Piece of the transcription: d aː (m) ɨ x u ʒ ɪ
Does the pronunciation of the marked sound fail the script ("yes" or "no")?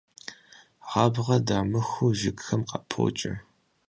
no